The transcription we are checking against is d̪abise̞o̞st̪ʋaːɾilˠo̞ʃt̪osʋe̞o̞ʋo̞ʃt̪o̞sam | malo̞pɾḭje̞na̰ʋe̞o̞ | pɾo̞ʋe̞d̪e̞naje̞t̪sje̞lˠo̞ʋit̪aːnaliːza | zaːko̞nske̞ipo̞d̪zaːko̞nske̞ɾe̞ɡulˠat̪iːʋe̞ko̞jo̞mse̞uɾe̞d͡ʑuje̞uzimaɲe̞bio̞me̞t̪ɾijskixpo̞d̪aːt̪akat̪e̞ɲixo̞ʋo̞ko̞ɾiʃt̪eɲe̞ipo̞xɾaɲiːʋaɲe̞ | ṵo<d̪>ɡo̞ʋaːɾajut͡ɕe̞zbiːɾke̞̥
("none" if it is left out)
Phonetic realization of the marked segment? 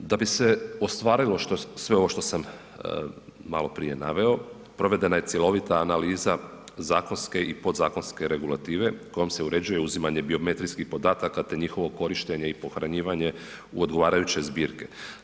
d̪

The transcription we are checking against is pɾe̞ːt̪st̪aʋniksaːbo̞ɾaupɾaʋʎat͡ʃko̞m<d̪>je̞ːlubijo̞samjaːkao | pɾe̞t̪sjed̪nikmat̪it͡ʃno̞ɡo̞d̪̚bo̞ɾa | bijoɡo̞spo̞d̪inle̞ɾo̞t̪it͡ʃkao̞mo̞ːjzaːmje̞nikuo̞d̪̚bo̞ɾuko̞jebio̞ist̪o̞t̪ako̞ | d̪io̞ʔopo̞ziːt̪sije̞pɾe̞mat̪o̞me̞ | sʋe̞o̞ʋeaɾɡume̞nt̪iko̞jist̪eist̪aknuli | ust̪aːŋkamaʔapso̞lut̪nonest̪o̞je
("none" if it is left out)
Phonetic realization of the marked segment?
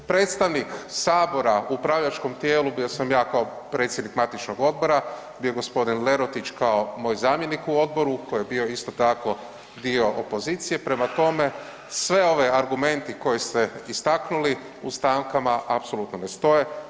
t̪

